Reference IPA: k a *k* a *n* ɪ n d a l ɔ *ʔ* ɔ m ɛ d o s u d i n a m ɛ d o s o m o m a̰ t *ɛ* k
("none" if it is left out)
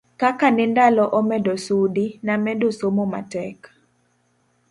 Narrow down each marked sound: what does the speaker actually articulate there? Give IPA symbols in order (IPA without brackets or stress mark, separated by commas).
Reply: k, n, ʔ, ɛ